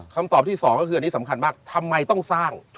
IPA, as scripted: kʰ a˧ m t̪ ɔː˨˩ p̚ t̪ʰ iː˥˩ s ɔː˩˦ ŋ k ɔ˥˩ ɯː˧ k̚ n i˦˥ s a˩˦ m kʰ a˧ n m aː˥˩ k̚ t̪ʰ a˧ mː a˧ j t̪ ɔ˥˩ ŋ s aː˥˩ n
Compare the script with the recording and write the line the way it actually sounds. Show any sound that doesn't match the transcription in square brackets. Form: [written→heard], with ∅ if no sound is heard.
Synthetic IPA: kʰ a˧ m t̪ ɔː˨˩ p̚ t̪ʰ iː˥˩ s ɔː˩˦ ŋ k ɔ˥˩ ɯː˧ [k̚→∅] n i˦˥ s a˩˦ m kʰ a˧ n m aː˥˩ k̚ t̪ʰ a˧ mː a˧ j t̪ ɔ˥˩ ŋ s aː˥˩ [n→ŋ]